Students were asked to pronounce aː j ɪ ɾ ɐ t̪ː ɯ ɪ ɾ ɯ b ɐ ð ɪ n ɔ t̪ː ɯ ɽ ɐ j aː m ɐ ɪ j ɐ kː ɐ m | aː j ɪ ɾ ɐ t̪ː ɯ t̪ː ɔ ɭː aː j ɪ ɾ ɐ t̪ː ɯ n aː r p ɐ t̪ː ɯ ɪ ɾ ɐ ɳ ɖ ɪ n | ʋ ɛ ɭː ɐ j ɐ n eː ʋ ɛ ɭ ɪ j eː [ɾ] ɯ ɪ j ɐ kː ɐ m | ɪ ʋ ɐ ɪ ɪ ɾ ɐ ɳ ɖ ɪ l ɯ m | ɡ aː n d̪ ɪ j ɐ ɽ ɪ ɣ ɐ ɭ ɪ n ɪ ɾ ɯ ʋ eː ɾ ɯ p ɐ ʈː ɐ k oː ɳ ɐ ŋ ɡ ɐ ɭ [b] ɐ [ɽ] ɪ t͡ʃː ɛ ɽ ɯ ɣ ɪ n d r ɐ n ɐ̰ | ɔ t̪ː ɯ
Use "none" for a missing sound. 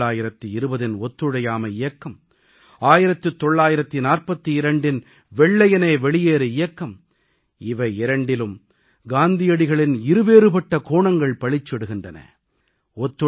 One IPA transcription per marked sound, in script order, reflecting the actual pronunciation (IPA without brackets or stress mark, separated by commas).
ɾ, p, ɭ